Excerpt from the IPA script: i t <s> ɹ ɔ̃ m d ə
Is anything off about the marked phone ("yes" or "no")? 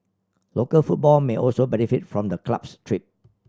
yes